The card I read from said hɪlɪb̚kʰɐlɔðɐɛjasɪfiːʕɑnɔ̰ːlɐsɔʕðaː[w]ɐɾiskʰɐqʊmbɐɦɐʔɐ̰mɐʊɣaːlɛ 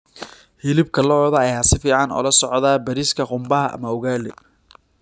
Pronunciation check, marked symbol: incorrect: b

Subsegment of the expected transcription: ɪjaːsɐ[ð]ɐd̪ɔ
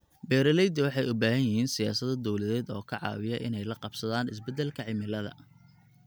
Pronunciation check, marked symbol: correct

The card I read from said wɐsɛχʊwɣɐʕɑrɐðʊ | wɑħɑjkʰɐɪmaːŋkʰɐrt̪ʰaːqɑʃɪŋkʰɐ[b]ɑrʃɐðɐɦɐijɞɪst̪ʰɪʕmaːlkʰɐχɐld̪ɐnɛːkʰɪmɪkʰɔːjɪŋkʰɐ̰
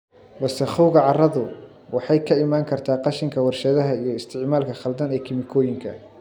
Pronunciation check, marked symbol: incorrect: w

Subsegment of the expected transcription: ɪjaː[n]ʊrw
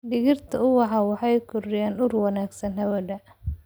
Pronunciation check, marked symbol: correct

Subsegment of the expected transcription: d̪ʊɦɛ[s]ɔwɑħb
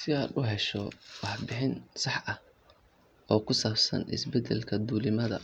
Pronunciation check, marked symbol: incorrect: ʃ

